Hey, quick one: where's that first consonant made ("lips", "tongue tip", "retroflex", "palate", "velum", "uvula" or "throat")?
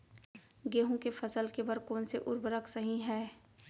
velum